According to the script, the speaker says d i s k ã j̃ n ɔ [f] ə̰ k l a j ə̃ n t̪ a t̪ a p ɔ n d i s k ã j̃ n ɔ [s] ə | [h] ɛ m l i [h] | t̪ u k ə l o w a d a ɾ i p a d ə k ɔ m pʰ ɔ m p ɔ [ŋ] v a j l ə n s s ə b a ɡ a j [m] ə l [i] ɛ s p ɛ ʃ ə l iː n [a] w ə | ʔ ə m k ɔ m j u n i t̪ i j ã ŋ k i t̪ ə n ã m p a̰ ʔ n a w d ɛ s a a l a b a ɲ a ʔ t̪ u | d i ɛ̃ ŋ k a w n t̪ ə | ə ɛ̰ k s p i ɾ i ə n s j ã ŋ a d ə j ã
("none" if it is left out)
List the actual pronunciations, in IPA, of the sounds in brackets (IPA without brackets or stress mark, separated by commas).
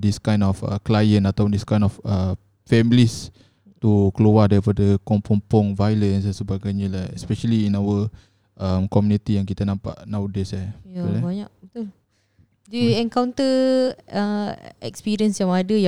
f, f, f, s, ŋ, ɲ, a, a